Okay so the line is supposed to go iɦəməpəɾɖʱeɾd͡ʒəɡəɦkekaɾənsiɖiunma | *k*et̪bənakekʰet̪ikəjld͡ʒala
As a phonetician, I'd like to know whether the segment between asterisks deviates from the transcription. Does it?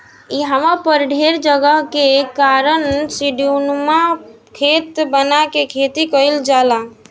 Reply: yes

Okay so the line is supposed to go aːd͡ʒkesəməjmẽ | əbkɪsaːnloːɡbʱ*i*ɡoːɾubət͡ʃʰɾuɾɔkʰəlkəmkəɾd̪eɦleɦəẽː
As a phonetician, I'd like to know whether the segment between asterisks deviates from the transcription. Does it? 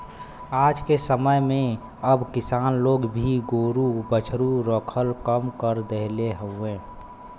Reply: no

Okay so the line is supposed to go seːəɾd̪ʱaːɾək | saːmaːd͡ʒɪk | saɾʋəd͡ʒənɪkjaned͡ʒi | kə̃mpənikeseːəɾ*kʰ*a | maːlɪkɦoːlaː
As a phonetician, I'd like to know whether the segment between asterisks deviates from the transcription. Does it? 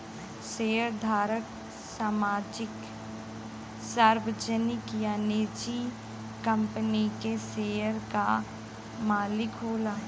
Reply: yes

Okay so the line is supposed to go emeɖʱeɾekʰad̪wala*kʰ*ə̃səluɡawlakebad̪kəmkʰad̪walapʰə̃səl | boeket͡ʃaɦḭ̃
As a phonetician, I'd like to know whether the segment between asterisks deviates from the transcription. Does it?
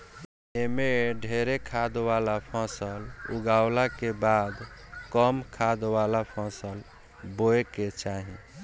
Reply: yes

